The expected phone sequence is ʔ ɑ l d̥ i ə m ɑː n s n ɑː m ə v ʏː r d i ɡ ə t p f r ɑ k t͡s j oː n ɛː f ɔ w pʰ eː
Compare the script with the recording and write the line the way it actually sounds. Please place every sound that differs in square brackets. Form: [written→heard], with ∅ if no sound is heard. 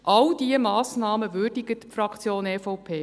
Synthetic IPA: ʔ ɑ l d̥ i ə m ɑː [n→∅] s n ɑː m ə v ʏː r d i ɡ ə t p f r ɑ k t͡s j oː n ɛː f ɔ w pʰ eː